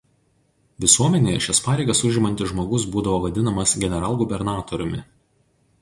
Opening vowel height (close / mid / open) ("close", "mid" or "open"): close